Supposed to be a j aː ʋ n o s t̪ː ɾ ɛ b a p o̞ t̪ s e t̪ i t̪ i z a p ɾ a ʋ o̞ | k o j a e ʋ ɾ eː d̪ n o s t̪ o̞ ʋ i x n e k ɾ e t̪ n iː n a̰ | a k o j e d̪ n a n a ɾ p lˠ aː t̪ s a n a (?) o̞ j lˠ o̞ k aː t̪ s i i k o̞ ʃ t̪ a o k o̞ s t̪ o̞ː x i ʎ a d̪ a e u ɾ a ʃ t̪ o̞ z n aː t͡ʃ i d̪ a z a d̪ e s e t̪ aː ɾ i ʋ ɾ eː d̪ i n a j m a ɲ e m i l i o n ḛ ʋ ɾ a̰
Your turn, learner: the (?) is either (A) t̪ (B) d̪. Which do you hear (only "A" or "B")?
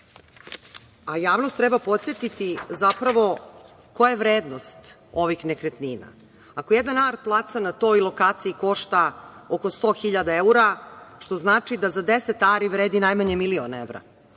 A